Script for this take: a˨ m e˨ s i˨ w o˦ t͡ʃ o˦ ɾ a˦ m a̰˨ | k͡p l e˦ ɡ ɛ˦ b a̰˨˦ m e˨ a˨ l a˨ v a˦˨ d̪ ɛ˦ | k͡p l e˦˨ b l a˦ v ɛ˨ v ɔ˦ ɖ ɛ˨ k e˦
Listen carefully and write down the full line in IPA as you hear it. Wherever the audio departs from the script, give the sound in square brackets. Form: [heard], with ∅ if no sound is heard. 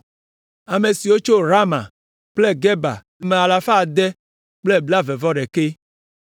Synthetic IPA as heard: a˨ m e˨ s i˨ w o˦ t͡ʃ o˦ ɾ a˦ m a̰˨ | k͡p l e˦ ɡ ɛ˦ b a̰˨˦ m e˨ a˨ l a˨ [f] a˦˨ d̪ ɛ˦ | k͡p l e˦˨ b l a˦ v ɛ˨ v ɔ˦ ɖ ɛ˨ k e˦